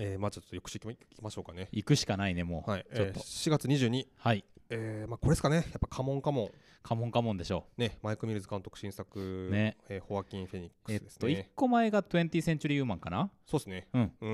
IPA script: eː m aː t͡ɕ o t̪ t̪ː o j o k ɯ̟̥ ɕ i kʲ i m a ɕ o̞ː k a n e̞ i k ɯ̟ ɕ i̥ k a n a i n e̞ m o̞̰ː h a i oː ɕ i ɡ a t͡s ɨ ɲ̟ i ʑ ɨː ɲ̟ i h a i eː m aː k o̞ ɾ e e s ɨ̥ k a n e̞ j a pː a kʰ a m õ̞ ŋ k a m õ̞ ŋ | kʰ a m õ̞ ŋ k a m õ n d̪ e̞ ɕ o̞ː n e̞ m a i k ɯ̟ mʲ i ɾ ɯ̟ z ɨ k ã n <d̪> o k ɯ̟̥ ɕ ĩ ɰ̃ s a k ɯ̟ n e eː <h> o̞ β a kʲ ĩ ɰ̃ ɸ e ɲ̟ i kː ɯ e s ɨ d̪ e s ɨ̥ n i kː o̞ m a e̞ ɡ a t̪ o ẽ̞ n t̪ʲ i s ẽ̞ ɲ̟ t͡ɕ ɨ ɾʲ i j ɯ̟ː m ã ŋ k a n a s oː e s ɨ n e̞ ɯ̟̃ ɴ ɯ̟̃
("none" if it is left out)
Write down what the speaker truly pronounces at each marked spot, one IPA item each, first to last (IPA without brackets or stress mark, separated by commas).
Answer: t̪, h